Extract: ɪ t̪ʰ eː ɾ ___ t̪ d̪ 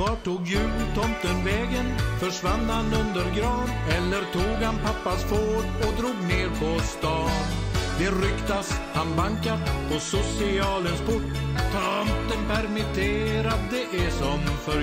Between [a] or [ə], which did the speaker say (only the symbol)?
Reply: a